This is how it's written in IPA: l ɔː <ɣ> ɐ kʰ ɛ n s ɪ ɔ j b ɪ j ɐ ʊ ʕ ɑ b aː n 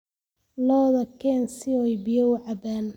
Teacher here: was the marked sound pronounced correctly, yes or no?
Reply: no